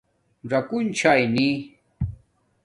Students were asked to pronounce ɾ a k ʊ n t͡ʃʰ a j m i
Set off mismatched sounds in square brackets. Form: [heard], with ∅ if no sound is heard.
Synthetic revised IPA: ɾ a k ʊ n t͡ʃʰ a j [n] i